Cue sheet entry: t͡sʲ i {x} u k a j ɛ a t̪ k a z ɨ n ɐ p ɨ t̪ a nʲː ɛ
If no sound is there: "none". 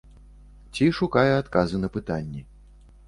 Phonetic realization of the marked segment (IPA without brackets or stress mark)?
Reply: ʂ